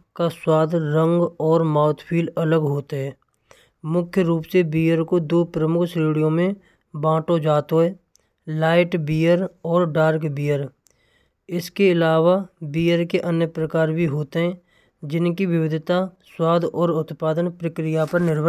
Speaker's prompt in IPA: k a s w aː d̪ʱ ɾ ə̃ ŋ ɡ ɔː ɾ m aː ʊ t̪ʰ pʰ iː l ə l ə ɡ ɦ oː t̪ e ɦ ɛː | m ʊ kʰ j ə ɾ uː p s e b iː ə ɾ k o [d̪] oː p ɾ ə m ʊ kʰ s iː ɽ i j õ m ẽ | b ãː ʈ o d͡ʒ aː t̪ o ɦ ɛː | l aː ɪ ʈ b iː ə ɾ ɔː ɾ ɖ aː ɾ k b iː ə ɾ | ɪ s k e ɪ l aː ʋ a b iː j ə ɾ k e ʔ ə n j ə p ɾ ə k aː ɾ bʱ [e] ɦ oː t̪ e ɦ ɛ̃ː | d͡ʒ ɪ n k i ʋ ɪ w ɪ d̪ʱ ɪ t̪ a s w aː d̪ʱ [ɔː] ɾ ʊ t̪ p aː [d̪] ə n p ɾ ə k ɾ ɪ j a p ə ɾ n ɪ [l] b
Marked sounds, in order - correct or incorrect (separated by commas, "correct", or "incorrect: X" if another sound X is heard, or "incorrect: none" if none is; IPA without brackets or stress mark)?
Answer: correct, incorrect: i, correct, correct, incorrect: ɾ